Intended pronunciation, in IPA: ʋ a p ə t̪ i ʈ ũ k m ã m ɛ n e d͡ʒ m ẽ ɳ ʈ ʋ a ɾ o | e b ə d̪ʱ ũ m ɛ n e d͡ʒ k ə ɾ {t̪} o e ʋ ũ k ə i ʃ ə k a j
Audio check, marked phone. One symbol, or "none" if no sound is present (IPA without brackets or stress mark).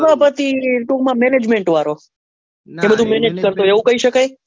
t̪